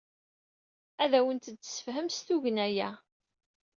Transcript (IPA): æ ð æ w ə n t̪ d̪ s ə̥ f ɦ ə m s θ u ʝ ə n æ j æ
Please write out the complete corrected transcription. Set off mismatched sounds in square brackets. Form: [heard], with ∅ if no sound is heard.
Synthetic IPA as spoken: æ ð æ w ə n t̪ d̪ s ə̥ f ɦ ə m s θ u ʝ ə n æ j æ